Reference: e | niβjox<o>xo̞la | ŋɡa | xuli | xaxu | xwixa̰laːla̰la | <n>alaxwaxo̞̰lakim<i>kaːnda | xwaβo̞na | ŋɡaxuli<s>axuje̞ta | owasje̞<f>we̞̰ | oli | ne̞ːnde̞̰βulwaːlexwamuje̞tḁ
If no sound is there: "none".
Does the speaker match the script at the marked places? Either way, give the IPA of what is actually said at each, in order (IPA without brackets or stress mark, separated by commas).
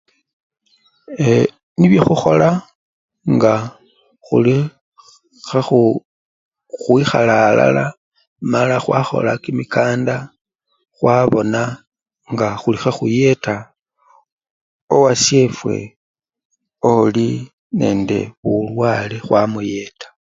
u, m, i, x, f